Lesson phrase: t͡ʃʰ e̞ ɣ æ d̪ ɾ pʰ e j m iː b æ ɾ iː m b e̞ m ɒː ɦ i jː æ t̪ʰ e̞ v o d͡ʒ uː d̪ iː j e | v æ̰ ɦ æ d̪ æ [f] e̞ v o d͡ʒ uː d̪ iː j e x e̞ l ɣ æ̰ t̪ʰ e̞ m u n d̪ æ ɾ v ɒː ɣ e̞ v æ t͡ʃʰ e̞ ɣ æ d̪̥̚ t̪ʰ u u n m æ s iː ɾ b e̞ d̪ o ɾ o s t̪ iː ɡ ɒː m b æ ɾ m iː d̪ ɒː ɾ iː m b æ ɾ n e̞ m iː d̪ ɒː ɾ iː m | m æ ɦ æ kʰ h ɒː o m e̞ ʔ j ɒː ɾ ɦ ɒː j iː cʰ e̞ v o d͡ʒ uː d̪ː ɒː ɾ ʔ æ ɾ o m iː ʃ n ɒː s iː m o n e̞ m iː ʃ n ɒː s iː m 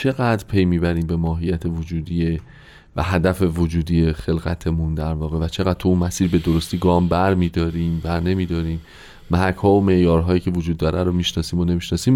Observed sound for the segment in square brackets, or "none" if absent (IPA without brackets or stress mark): f